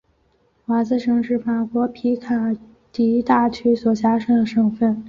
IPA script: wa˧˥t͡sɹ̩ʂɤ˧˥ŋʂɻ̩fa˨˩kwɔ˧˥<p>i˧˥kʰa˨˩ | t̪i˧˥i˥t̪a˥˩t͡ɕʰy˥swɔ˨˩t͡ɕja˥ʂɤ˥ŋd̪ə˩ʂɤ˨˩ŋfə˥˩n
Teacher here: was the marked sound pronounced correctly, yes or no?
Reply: no